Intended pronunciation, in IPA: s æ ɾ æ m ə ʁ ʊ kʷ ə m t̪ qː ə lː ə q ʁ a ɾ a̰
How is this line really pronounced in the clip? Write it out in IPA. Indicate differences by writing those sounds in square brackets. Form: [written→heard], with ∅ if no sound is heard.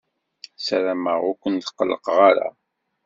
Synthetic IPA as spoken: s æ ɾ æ m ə ʁ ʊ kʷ ə [m→n] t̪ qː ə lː ə q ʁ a ɾ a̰